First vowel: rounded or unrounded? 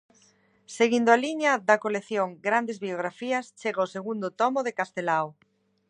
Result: unrounded